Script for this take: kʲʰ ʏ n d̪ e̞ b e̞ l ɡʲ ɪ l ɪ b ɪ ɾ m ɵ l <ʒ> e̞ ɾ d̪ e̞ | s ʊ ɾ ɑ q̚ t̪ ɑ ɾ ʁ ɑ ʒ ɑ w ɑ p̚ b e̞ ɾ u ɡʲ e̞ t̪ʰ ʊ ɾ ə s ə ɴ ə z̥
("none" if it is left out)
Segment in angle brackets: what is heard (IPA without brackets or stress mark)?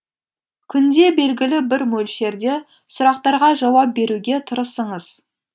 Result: ʃ